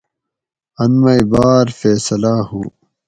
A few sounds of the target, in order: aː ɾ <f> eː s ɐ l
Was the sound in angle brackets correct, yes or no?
yes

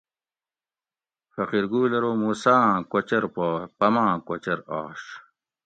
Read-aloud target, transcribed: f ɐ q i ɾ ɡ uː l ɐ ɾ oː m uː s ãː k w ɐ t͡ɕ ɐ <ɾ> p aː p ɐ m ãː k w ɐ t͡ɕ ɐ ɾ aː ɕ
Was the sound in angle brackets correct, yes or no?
yes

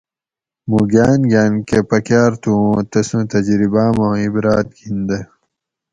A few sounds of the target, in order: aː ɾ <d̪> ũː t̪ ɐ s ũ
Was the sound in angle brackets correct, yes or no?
no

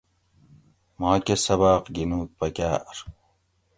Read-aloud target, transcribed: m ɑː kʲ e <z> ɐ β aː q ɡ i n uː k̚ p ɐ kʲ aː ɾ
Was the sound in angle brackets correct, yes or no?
no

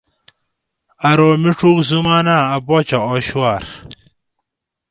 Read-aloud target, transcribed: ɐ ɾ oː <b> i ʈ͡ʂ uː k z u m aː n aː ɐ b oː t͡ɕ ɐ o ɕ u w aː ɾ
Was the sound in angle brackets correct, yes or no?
no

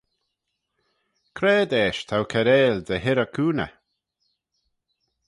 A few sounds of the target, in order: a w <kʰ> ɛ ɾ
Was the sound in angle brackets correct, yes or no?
yes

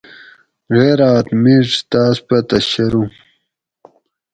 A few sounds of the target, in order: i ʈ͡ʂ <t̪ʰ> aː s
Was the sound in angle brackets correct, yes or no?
no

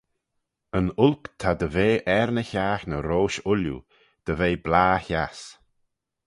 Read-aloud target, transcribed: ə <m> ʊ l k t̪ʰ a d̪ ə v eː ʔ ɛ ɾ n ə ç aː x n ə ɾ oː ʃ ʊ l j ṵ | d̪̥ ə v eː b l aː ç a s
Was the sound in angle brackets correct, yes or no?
no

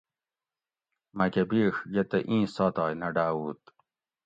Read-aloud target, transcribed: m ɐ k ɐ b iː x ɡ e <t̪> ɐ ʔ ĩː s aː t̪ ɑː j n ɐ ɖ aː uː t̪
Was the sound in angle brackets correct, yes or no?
yes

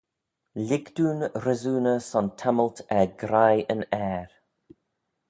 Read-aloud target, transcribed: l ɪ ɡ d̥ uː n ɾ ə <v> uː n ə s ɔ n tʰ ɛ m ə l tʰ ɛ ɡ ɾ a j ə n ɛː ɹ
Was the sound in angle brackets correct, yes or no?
no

